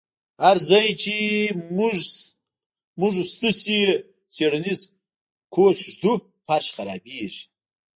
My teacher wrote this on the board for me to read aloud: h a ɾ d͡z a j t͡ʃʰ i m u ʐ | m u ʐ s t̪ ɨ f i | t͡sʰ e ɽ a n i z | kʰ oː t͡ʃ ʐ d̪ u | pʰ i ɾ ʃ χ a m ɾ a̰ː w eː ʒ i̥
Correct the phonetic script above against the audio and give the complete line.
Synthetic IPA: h a ɾ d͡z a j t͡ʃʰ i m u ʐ | m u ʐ s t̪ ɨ s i | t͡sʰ e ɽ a n i z | kʰ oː t͡ʃ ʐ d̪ u | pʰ a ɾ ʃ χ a ɾ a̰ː b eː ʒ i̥